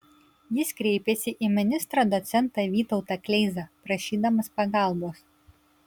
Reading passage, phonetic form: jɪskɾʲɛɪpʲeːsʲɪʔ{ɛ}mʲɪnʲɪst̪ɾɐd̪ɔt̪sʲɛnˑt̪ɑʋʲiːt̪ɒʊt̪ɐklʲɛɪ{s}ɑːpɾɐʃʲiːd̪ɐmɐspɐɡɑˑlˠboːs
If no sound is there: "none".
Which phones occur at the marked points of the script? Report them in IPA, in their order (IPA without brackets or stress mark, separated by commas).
i, z